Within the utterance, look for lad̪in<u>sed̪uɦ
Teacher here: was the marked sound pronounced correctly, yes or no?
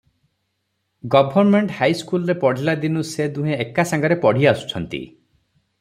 yes